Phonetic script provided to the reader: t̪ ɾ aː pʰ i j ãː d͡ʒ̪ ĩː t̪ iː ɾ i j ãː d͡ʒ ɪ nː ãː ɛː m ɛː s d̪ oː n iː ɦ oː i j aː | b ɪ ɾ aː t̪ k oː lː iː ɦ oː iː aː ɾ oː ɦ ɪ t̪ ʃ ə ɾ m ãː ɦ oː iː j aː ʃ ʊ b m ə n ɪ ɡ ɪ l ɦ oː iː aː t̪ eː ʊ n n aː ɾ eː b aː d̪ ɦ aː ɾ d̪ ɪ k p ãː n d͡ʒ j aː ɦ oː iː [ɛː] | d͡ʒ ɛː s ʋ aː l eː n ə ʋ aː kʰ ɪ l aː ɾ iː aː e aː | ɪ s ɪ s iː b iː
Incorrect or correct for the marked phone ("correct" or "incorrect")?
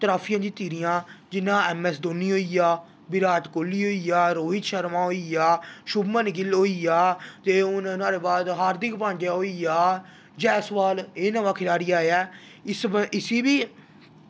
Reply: incorrect